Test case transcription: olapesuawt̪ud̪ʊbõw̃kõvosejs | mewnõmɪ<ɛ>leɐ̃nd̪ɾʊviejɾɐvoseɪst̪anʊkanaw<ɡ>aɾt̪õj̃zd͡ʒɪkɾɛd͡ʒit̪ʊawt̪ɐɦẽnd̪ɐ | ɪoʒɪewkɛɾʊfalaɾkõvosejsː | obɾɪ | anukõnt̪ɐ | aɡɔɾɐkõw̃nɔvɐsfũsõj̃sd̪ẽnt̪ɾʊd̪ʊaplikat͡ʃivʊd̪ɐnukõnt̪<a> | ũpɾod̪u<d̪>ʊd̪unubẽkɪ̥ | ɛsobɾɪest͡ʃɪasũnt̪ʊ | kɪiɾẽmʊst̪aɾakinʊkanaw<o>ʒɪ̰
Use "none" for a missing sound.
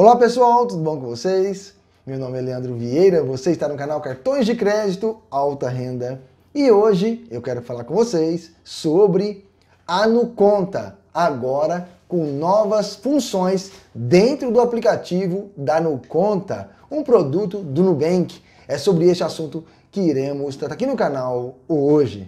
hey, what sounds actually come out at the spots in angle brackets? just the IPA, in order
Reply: ɛ, k, ɐ, t̪, o

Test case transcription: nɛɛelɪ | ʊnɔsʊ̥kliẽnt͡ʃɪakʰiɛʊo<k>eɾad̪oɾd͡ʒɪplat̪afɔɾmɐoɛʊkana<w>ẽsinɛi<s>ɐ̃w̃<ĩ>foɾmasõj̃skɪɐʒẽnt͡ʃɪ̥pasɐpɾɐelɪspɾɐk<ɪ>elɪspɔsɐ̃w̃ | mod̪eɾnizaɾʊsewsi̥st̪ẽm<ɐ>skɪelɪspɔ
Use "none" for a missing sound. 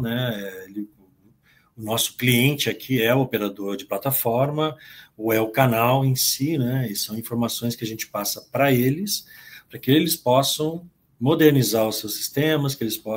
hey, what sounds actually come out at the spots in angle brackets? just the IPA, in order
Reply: p, w, s, ĩ, ɪ, ɐ

